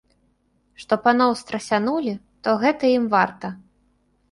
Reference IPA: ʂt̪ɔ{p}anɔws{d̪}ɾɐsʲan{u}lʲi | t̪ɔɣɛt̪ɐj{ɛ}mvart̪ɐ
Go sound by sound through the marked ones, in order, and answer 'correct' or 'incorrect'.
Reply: correct, incorrect: t̪, correct, incorrect: i

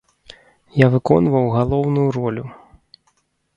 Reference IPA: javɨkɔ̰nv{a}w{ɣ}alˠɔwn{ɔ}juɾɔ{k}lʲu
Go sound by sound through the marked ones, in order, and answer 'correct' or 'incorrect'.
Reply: incorrect: ɐ, correct, incorrect: u, incorrect: none

